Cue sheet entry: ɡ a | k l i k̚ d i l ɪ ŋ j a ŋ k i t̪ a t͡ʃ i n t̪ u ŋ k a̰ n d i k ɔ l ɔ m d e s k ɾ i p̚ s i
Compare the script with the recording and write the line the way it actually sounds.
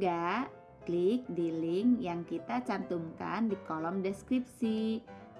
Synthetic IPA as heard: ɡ a | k l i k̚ d i l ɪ ŋ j a ŋ k i t̪ a t͡ʃ a n t̪ u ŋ k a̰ n d i k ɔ l ɔ m d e s k ɾ i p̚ s i